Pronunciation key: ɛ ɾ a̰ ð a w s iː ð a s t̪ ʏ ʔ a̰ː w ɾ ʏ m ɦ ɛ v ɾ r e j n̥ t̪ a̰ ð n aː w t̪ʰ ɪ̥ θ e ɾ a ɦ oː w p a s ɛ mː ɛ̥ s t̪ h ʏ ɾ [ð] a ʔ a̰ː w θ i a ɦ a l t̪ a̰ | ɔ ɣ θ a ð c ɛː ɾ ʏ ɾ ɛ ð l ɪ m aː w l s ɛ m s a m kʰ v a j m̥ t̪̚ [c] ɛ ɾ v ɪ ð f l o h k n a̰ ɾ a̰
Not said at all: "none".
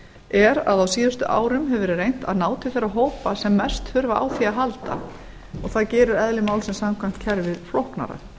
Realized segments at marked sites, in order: v, cʰ

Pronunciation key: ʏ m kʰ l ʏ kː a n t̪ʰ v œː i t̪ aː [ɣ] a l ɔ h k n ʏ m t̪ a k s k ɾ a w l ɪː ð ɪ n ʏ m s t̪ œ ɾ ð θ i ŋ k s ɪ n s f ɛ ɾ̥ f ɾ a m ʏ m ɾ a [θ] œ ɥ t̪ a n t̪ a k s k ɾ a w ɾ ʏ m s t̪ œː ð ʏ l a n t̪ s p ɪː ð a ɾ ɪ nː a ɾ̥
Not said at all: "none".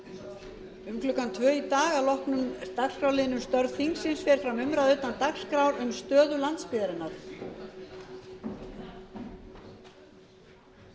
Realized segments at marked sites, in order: ɣ, ð

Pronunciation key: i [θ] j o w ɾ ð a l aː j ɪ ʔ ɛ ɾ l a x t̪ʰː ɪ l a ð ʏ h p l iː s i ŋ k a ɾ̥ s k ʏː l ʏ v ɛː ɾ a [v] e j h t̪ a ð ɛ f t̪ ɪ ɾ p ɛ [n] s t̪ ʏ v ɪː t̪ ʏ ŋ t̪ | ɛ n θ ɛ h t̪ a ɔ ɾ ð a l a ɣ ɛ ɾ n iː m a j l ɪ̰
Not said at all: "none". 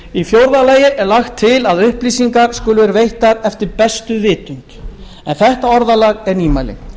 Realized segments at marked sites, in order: f, v, none

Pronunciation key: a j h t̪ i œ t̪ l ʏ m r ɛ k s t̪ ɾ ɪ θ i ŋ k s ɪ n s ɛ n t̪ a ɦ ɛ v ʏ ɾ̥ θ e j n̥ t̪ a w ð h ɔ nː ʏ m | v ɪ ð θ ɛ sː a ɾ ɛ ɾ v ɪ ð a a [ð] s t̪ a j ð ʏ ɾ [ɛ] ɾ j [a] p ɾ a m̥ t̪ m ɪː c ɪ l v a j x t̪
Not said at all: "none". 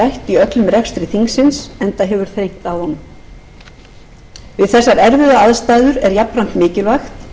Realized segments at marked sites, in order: ð, ɛ, a

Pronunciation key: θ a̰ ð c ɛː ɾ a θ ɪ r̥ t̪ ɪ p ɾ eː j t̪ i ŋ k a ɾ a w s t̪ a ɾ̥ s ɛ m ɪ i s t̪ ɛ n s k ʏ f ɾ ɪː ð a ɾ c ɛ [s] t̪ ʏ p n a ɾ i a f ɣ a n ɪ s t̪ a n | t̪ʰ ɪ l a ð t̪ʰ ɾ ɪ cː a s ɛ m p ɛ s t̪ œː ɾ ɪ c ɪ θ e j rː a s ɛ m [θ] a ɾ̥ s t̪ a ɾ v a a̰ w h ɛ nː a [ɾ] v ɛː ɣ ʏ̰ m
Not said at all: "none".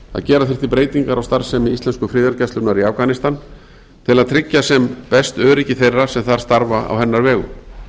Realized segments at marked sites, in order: s, θ, ɾ

